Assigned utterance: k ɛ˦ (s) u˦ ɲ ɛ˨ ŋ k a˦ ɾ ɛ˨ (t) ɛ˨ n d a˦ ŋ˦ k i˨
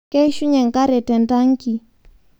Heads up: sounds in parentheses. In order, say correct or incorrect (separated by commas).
incorrect, correct